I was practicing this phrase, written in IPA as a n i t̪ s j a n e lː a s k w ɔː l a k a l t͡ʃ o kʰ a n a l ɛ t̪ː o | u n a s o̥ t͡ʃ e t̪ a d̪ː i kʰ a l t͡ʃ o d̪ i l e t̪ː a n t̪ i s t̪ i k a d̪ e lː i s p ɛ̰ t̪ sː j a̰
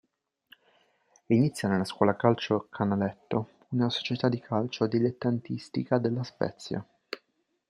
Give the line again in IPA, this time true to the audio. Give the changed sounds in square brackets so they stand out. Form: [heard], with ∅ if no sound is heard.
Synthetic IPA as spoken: [i] n i t̪ s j a n e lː a s k w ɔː l a k a l t͡ʃ o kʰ a n a l ɛ t̪ː o | u n a s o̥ t͡ʃ e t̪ a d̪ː i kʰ a l t͡ʃ o d̪ i l e t̪ː a n t̪ i s t̪ i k a d̪ e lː [a] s p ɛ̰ t̪ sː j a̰